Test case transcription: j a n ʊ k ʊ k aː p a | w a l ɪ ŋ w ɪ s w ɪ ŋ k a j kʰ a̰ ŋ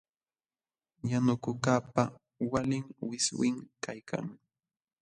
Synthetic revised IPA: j a n ʊ k ʊ k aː p a | w a l ɪ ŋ w ɪ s w ɪ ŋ k a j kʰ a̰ ŋ